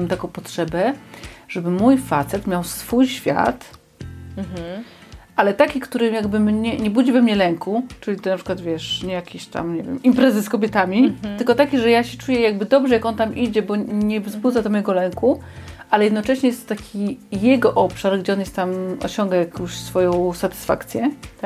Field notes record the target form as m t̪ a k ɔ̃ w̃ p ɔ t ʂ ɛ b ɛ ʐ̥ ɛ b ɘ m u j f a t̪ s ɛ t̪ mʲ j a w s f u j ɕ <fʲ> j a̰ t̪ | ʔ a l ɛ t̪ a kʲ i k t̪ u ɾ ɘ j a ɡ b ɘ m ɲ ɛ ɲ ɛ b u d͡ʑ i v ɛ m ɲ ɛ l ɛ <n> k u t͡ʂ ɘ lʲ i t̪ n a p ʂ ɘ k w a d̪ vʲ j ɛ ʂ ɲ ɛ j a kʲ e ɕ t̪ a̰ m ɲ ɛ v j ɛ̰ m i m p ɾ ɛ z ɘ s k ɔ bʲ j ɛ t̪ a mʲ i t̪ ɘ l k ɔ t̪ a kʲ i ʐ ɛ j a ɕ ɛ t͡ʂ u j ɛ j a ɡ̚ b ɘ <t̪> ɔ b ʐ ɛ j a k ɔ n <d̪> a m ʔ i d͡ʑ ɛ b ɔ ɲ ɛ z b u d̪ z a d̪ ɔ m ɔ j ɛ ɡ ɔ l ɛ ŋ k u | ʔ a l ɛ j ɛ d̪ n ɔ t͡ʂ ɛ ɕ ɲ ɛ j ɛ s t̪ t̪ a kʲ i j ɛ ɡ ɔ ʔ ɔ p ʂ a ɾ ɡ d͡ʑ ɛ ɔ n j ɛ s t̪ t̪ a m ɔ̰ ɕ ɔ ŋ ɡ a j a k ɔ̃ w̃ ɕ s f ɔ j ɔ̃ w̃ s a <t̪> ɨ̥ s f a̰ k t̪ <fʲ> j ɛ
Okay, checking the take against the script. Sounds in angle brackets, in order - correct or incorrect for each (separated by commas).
correct, incorrect, incorrect, incorrect, correct, incorrect